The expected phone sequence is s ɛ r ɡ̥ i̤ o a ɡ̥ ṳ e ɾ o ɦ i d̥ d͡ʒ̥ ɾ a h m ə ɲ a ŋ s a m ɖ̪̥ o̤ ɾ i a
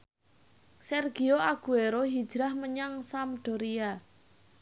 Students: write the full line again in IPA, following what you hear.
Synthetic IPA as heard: s ɛ r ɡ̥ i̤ o a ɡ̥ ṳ e ɾ o ɦ i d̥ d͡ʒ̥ ɾ a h m ə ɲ a ŋ s a m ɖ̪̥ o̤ ɾ i a